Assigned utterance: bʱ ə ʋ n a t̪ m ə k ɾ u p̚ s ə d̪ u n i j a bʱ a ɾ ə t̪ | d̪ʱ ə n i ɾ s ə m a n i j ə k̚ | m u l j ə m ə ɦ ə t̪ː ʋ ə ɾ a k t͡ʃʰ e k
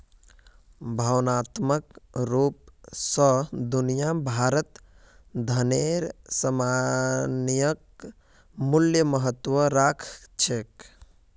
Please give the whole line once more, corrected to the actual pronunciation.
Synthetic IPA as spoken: bʱ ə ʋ n a t̪ m ə k ɾ u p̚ s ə d̪ u n i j a bʱ a ɾ ə t̪ | d̪ʱ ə n e ɾ s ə m a n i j ə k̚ | m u l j ə m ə ɦ ə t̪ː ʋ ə ɾ a kʰ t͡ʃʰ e k